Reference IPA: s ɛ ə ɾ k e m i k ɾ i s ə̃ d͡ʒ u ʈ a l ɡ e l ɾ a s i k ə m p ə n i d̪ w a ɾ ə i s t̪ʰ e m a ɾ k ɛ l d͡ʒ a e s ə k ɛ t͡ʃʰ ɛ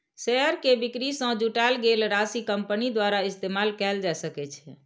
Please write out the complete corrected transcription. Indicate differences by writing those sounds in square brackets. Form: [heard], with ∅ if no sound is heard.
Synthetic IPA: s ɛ ə ɾ k e [b] i k ɾ i s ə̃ d͡ʒ u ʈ a l ɡ e l ɾ a s i k ə m p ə n i d̪ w a ɾ [a] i s [t̪] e m a [l] k ɛ l d͡ʒ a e s ə k ɛ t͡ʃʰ ɛ